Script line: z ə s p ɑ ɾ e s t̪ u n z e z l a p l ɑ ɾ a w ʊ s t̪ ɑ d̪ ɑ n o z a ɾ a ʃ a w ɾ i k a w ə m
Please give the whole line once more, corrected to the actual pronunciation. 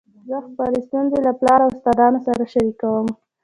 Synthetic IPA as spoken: z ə x p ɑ ɾ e s t̪ u n z e l a p l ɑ ɾ a w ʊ s t̪ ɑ d̪ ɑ n o s a ɾ a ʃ a ɾ i k a w ə m